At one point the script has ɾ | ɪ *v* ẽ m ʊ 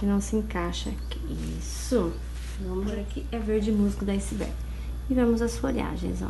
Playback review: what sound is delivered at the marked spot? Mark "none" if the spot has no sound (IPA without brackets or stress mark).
v